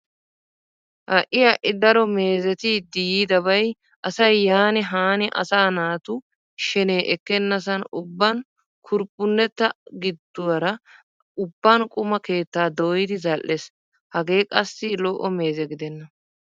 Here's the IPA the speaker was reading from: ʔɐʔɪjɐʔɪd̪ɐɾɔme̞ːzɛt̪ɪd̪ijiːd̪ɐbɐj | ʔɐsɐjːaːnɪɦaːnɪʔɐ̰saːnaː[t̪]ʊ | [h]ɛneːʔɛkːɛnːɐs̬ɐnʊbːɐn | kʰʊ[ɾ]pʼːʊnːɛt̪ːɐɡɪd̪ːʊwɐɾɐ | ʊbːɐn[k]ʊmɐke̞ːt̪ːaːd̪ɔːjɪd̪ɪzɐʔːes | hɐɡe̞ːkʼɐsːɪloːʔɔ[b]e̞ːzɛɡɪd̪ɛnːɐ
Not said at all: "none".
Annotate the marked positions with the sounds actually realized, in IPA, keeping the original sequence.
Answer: t̪, ʃ, ɾ, kʼ, m

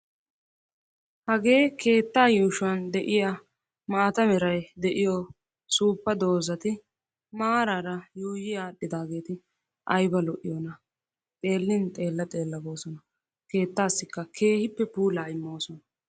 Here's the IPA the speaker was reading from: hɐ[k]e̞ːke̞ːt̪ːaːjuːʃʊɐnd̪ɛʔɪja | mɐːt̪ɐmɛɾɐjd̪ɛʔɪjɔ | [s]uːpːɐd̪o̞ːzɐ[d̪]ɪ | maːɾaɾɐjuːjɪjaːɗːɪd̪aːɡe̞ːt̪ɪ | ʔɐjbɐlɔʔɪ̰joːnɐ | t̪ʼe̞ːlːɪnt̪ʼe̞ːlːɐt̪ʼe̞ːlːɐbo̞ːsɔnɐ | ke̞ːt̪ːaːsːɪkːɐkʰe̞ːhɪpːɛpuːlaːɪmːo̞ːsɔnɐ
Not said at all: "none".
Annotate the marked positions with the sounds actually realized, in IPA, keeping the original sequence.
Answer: ɡ, s, t̪

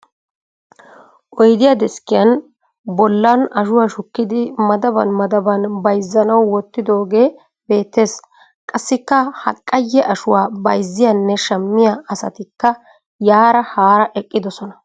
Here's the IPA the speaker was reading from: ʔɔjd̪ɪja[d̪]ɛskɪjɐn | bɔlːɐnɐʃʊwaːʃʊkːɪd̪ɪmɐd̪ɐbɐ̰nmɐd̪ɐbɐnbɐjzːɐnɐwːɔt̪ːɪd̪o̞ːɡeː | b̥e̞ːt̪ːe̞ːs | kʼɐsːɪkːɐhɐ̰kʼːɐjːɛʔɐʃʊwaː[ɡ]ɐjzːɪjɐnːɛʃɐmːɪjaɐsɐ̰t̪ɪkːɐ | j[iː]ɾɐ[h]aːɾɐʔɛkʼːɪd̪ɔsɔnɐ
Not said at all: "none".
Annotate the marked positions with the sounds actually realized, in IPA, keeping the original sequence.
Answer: d̪, b, aː, h

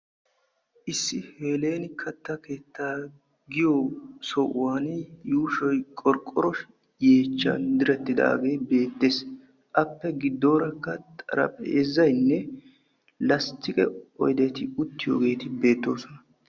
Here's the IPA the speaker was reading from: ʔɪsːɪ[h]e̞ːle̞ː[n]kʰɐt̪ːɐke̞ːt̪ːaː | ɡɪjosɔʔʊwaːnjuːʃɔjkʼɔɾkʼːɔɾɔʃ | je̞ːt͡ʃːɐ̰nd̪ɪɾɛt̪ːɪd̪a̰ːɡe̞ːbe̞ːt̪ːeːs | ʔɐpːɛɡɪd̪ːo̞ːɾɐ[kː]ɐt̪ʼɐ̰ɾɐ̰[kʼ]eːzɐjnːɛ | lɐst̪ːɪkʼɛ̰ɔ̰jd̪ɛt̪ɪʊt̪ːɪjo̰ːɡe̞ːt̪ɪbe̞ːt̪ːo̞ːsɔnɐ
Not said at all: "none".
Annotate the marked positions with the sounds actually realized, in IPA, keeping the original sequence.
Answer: h, n, kː, pʼ

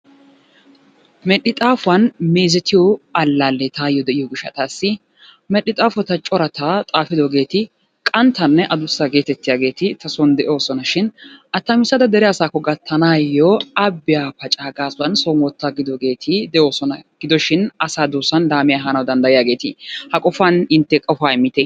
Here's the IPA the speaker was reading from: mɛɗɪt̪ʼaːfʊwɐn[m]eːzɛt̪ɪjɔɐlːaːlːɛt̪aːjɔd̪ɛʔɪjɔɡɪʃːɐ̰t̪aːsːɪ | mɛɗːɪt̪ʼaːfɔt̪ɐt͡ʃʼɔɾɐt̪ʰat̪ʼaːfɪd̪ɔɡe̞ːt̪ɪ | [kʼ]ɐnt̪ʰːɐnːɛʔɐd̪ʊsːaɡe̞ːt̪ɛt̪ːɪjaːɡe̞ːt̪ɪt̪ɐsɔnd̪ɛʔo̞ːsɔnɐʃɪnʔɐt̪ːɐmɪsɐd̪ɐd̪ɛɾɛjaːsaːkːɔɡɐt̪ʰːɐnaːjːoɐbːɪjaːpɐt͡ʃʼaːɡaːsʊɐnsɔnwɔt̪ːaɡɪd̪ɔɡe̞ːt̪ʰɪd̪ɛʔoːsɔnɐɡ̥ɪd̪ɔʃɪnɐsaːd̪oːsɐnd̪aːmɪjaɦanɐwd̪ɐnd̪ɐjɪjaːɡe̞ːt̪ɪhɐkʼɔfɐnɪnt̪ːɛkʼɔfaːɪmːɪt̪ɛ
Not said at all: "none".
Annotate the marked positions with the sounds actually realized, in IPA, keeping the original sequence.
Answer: m, kʼ

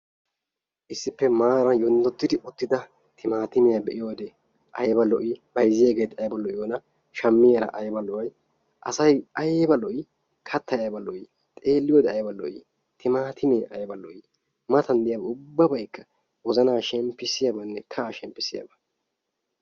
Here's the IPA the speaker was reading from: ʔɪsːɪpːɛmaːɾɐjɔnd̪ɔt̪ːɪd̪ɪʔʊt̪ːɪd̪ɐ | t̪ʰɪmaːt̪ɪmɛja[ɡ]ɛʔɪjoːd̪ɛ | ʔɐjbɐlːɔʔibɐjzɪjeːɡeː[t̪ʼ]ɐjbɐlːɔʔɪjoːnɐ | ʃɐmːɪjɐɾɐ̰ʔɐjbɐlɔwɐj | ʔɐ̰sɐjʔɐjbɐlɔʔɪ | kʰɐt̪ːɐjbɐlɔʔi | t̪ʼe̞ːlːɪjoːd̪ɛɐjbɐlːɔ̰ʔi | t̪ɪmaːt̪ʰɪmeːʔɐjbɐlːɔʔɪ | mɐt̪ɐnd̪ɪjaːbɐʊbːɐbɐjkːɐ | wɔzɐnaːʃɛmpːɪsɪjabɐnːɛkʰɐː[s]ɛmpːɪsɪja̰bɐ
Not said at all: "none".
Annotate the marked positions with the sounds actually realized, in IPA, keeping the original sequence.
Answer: b, t̪, ʃ

